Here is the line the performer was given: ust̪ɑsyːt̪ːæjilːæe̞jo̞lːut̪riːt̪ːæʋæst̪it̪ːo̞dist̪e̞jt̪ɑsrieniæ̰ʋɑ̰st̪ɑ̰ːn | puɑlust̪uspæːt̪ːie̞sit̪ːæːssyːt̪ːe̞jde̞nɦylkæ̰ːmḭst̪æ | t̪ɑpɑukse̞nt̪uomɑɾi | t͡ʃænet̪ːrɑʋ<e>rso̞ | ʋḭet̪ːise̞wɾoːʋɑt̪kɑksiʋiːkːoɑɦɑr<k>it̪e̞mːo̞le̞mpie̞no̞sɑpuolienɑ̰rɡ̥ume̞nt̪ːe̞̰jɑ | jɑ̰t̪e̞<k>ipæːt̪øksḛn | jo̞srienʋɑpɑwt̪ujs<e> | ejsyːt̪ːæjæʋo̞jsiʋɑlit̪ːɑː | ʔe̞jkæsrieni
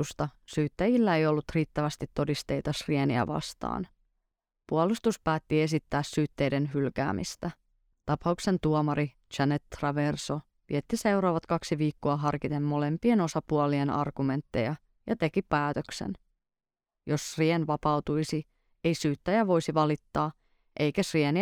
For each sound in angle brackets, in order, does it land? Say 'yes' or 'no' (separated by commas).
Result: yes, yes, yes, no